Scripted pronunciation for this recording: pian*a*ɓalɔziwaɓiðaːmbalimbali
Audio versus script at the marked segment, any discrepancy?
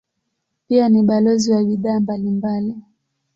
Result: yes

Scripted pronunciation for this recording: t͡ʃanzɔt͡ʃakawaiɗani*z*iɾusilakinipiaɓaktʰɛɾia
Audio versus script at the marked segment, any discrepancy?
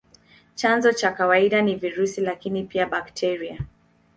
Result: yes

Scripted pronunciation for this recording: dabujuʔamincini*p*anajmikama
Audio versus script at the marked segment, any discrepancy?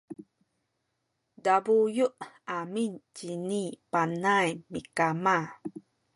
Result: no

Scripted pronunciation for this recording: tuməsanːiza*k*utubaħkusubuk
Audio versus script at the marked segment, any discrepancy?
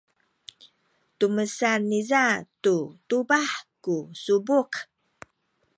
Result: yes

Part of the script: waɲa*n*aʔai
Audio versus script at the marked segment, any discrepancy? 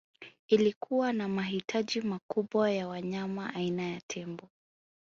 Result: yes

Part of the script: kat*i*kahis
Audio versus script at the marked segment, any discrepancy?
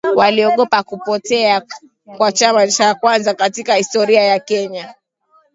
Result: no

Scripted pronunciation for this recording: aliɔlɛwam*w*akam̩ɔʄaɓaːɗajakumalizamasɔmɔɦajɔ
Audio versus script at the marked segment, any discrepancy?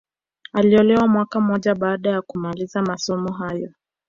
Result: no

